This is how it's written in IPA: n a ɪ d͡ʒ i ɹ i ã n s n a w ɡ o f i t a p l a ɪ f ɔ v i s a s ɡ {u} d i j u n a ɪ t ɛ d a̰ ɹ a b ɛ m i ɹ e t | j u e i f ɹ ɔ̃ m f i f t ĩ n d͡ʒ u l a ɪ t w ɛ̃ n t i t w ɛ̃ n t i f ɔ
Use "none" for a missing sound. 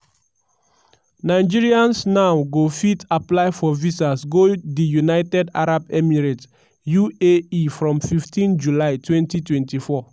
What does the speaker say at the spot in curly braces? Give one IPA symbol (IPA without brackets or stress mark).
o